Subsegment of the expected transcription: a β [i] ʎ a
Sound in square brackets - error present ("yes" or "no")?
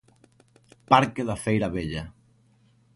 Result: yes